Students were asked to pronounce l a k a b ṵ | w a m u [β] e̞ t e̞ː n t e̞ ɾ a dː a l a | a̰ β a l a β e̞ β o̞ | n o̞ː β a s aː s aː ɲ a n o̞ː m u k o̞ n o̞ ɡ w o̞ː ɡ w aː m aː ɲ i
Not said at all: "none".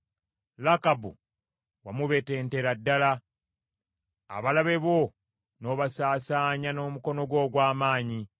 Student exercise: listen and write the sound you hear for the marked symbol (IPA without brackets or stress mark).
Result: β